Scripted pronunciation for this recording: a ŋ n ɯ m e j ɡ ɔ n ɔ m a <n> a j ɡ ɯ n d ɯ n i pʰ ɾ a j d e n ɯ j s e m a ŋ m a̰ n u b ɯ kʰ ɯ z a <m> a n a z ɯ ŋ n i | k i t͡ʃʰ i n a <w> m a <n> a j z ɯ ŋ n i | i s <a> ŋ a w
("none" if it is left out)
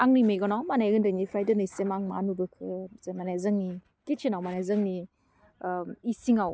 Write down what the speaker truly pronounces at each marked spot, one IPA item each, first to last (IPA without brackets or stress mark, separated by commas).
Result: n, m, w, n, i